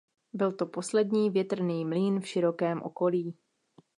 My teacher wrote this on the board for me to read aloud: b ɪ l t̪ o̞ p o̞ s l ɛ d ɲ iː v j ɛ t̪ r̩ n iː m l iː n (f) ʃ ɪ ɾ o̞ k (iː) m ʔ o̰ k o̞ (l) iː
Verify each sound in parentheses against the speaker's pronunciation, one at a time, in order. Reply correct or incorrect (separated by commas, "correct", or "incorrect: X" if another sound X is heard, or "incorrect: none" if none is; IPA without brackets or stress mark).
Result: correct, incorrect: ɛː, correct